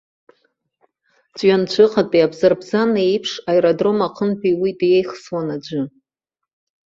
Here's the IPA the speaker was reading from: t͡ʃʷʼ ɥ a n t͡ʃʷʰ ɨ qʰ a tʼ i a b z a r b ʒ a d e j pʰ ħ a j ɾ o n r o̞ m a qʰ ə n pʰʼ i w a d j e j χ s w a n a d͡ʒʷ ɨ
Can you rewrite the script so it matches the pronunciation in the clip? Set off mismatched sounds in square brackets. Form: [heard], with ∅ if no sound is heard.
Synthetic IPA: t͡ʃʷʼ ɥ a n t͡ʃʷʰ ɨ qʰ a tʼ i a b z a r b [z] a [n] e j pʰ [ʂ] a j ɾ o [d] r o̞ m a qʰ ə n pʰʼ i w [i] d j e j χ s w a n a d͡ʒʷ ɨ